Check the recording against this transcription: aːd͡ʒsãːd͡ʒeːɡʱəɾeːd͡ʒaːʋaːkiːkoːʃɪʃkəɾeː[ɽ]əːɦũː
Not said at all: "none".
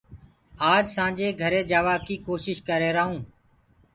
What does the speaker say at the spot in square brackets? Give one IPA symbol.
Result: ɾ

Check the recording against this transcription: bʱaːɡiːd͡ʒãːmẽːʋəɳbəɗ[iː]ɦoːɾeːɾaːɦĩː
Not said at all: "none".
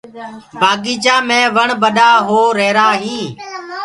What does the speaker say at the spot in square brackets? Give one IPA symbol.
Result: aː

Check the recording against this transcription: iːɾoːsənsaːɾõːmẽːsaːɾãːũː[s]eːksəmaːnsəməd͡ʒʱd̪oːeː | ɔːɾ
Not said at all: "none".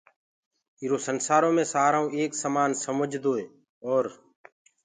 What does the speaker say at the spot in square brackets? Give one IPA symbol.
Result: none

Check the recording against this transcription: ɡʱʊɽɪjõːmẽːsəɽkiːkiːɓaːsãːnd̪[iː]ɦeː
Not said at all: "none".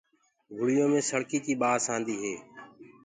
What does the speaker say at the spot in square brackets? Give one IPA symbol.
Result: iː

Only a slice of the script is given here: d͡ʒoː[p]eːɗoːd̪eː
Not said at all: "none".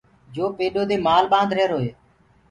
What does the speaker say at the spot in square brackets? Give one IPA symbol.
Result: p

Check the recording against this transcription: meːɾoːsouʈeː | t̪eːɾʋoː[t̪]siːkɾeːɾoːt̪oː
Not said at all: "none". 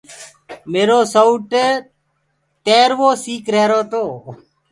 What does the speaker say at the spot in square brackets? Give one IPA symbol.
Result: none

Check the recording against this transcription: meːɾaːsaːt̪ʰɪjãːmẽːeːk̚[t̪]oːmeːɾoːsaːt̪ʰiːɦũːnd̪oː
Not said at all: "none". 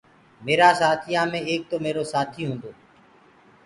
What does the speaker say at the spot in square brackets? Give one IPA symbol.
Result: t̪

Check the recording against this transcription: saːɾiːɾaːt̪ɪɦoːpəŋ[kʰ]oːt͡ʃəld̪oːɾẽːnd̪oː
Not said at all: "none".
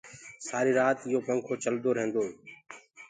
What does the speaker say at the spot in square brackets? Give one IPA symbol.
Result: kʰ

